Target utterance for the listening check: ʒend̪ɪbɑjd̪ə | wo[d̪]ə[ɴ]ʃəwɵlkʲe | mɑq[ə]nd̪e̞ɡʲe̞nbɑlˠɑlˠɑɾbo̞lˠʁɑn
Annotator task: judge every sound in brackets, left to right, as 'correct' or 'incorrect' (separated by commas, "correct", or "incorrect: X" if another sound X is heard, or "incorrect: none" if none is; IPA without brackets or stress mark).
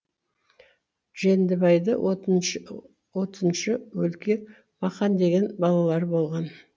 incorrect: t̪, incorrect: n, incorrect: ɑ